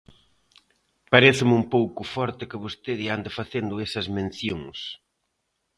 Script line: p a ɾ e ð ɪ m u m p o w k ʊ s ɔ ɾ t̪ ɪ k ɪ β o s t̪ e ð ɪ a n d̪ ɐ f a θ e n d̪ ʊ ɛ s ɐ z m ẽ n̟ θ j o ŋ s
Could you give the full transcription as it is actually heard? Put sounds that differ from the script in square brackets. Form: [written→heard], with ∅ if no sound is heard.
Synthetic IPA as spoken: p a ɾ e [ð→θ] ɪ m u m p o w k ʊ [s→f] ɔ ɾ t̪ ɪ k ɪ β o s t̪ e ð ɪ a n d̪ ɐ f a θ e n d̪ ʊ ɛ s ɐ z m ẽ n̟ θ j o ŋ s

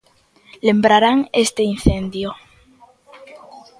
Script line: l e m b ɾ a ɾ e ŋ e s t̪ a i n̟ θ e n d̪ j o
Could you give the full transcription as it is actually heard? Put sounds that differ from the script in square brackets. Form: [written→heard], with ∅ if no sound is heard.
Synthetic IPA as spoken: l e m b ɾ a ɾ [e→a] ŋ e s t̪ [a→e] i n̟ θ e n d̪ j o

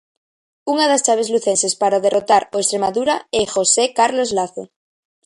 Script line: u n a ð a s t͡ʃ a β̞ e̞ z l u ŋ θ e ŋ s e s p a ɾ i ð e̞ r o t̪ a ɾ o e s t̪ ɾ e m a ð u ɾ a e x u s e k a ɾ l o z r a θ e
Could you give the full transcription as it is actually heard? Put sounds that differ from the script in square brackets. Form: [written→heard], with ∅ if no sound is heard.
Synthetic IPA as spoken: u [n→ŋ] a ð a s t͡ʃ a β̞ e̞ z l u [ŋ→∅] θ e [ŋ→n] s e s p a ɾ [i→a] ð e̞ r o t̪ a ɾ o e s t̪ ɾ e m a ð u ɾ a e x [u→o] s e k a ɾ l o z [r→l] a θ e

